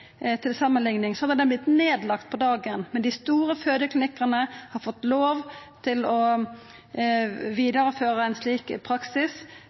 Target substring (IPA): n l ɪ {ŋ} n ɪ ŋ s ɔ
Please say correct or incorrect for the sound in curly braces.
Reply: correct